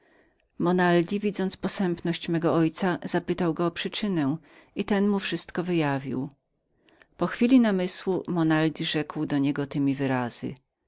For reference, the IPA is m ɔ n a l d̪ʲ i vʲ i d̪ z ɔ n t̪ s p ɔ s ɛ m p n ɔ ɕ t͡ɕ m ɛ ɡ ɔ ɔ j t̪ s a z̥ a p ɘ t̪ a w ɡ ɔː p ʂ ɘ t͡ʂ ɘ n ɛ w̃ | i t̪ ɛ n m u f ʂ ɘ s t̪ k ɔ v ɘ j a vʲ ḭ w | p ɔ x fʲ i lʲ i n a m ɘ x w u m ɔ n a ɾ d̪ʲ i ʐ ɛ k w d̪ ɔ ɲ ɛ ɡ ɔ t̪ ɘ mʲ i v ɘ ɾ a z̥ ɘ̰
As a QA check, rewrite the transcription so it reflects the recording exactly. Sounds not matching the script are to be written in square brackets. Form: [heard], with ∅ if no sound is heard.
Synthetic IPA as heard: m ɔ n a l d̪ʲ i vʲ i d̪ z ɔ n t̪ s p ɔ s ɛ m p n ɔ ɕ t͡ɕ m ɛ ɡ ɔ ɔ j t̪ s a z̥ a p ɘ t̪ a w ɡ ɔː p ʂ ɘ t͡ʂ ɘ n ɛ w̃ | i t̪ ɛ n m u f ʂ ɘ s t̪ k ɔ v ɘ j a vʲ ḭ w | p ɔ x fʲ i lʲ i n a m ɘ [s] w u m ɔ n a [l] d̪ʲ i ʐ ɛ k w d̪ ɔ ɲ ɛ ɡ ɔ t̪ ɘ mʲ i v ɘ ɾ a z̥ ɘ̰